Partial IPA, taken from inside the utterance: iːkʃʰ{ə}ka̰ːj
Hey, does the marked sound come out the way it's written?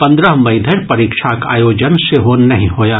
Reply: no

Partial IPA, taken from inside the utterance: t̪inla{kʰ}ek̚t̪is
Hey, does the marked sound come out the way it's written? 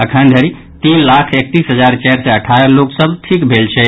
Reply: yes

